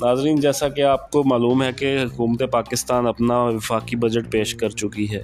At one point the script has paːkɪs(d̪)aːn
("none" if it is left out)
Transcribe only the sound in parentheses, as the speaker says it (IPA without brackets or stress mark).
t̪